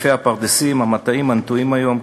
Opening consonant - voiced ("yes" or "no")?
no